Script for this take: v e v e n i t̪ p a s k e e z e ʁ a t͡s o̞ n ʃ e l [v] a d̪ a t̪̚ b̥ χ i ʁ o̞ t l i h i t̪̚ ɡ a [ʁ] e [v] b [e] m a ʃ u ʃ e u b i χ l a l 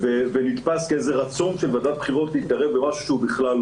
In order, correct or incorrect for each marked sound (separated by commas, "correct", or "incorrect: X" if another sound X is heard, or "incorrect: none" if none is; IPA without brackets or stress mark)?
correct, correct, correct, correct